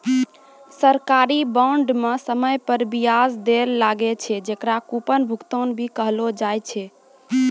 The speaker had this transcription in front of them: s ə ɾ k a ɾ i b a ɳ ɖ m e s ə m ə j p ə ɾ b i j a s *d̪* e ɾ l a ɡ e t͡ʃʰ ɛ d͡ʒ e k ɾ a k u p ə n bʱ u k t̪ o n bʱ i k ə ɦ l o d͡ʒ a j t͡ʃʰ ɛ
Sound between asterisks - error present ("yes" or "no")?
no